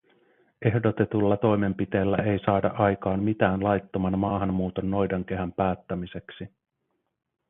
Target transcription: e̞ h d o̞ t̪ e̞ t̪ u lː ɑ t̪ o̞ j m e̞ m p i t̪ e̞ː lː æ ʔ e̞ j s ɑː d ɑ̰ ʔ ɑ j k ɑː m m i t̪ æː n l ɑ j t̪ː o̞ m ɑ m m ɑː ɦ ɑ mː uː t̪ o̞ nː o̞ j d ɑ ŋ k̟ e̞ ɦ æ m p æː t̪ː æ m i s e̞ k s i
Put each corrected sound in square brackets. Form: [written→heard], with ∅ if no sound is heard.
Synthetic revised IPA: e̞ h d o̞ t̪ e̞ t̪ u lː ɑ t̪ o̞ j m e̞ m p i t̪ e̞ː lː æ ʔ e̞ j s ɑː d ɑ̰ ʔ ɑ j k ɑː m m i t̪ æː n l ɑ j t̪ː o̞ m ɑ [m→n] m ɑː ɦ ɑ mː uː t̪ o̞ nː o̞ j d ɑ ŋ k̟ e̞ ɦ æ m p æː t̪ː æ m i s e̞ k s i